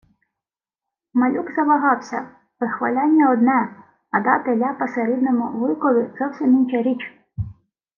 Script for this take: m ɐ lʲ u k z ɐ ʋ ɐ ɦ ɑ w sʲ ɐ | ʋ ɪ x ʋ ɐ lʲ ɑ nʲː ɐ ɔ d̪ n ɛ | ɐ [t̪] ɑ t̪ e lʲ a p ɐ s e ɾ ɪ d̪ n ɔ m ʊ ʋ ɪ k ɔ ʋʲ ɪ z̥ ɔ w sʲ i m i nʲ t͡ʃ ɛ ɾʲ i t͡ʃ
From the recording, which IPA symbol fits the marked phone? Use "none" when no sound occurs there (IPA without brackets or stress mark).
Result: d̪